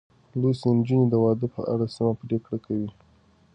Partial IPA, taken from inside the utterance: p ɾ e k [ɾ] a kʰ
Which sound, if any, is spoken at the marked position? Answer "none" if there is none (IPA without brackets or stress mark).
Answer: ɽ